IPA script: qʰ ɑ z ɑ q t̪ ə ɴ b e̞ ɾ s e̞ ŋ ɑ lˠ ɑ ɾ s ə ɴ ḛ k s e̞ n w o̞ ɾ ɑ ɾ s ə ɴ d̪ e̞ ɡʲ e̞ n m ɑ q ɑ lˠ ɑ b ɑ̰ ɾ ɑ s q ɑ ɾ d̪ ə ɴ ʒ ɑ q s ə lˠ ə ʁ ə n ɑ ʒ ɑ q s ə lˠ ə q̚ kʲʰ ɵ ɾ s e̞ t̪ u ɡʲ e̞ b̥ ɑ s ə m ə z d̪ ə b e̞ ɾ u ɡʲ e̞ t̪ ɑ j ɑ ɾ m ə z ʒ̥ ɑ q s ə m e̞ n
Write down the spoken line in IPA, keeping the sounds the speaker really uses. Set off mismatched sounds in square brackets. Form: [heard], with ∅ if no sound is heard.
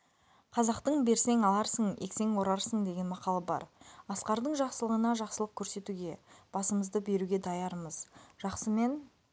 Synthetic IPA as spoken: qʰ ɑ z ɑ q t̪ ə ɴ b e̞ ɾ s e̞ ŋ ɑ lˠ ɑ ɾ s ə ɴ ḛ k s e̞ [ŋ] w o̞ ɾ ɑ ɾ s ə ɴ d̪ e̞ ɡʲ e̞ n m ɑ q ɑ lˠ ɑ b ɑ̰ ɾ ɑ s q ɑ ɾ d̪ ə ɴ ʒ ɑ q s ə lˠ ə ʁ ə n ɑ ʒ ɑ q s ə lˠ ə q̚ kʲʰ ɵ ɾ s e̞ t̪ u ɡʲ e̞ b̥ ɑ s ə m ə z d̪ ə b e̞ ɾ u ɡʲ e̞ [d̪] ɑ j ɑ ɾ m ə z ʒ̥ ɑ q s ə m e̞ n